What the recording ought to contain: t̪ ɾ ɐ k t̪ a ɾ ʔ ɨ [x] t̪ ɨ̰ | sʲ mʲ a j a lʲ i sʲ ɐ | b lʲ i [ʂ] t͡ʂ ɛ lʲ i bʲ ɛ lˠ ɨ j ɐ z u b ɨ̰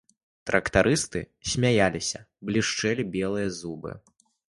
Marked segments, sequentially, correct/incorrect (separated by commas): incorrect, correct